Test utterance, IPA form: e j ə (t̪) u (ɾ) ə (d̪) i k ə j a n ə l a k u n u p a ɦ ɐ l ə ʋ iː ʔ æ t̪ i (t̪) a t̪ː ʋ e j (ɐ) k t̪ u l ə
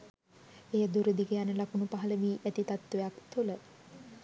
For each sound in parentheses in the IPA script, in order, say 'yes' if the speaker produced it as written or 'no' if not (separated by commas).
no, yes, yes, yes, no